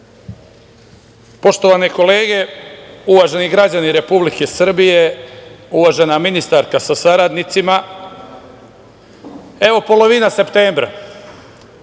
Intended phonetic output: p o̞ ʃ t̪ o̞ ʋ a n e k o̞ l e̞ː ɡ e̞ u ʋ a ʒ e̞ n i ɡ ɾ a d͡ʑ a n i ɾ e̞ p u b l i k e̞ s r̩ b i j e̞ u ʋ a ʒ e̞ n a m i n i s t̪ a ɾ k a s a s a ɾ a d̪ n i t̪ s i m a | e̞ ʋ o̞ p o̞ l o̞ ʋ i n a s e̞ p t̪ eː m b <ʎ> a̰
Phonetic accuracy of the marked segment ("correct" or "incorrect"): incorrect